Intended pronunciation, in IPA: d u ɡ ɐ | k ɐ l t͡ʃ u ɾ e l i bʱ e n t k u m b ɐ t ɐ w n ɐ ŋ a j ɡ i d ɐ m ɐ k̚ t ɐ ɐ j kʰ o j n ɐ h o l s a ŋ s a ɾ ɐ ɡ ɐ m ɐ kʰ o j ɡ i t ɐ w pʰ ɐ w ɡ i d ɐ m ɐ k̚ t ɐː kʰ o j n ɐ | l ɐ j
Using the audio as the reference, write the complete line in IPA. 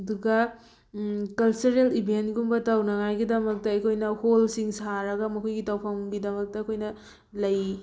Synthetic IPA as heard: d u ɡ ɐ | k ɐ l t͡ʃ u ɾ e l i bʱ e n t ɡ u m b ɐ t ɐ w n ɐ ŋ a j ɡ i d ɐ m ɐ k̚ t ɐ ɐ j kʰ o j n ɐ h o l s i ŋ s a ɾ ɐ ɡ ɐ m ɐ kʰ o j ɡ i t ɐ w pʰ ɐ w ɡ i d ɐ m ɐ k̚ t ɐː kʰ o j n ɐ | l ɐ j

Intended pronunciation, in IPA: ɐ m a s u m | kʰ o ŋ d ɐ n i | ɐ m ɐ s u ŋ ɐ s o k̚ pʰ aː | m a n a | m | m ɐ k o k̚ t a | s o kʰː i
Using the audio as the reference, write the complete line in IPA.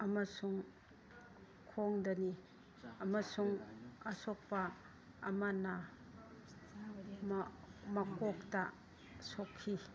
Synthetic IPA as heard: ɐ m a s u ŋ | kʰ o ŋ d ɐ n i | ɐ m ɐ s u ŋ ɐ s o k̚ p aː | m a n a | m | m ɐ k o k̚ t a | s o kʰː i

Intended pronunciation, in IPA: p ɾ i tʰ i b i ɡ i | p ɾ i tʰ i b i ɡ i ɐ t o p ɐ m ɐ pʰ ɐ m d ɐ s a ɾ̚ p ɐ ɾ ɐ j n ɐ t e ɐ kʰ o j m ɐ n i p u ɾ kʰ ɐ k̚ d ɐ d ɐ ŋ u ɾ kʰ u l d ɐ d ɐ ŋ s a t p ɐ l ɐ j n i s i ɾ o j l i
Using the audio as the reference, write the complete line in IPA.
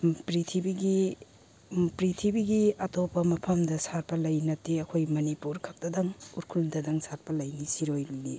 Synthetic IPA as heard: p ɾ i tʰ i b i ɡ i | p ɾ i tʰ i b i ɡ i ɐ t o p ɐ m ɐ pʰ ɐ m d ɐ s a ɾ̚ p ɐ l ɐ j n ɐ t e ɐ kʰ o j m ɐ n i p u ɾ kʰ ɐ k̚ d ɐ d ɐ ŋ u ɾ kʰ u l d ɐ d ɐ ŋ s a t p ɐ l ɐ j n i s i ɾ o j l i

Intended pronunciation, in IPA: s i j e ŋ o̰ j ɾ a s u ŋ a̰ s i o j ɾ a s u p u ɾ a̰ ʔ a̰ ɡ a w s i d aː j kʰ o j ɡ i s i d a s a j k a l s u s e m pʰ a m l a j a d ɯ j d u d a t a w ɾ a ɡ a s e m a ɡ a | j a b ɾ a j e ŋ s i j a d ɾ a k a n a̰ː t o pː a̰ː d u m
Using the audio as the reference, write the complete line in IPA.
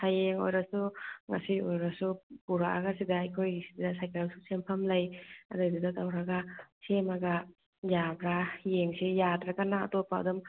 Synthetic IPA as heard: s a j e ŋ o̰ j ɾ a s u ŋ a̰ s i o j ɾ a s u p u ɾ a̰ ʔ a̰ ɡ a s i d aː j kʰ o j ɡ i s i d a s a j k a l s u s e m pʰ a m l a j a d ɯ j d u d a t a w ɾ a ɡ a s e m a ɡ a | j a b ɾ a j e ŋ s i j a d ɾ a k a n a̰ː t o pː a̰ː d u m

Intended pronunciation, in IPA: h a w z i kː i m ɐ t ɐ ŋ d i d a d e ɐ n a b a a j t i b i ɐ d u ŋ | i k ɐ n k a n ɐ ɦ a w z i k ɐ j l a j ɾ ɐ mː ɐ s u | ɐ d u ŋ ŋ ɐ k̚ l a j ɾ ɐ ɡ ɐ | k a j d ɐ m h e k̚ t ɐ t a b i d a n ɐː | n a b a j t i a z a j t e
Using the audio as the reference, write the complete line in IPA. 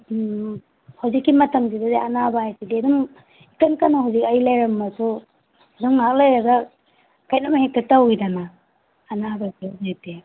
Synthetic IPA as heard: h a w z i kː i m ɐ t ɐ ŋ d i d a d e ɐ n a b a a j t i d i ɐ d u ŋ | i k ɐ n k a n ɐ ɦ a w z i k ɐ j l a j ɾ ɐ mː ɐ s u | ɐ d u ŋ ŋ a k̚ l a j ɾ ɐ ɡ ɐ | k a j n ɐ m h e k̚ t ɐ t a w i d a n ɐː | n a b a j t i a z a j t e

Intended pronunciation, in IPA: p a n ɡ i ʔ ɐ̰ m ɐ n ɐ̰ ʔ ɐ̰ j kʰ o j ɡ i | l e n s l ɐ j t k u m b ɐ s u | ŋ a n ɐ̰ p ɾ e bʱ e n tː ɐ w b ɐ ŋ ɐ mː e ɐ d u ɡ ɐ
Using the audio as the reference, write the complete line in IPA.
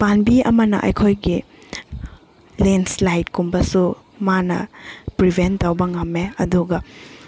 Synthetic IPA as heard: p a n b i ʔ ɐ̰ m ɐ n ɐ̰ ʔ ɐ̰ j kʰ o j ɡ i | l e n s l a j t k u m b ɐ s u | m a n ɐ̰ p ɾ i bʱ e n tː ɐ w b ɐ ŋ ɐ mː e ɐ d u ɡ ɐ

